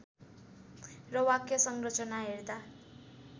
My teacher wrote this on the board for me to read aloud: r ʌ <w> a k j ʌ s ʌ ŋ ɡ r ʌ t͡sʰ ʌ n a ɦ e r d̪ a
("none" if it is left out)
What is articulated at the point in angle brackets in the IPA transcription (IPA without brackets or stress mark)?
w